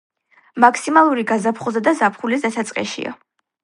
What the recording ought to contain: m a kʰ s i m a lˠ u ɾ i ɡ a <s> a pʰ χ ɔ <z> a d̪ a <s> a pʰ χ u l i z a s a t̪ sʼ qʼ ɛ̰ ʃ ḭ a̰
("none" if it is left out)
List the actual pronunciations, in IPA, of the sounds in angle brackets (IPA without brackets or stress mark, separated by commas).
z, z, z